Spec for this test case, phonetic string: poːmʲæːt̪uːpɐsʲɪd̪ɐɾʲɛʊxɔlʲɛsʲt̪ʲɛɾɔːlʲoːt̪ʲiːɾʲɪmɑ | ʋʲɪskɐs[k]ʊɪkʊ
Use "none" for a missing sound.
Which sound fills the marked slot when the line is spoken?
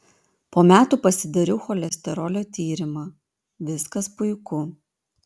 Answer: p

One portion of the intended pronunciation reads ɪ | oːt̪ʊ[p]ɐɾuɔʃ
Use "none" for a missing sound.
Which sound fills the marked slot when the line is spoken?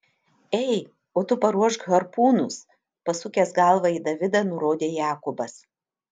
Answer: p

